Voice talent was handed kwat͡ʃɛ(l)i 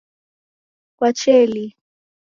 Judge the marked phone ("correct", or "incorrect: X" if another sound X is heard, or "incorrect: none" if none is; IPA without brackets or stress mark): correct